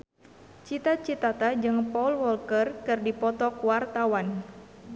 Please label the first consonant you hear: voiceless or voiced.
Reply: voiceless